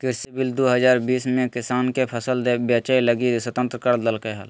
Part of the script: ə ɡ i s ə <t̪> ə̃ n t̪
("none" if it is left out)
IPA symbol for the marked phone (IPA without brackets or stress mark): t̪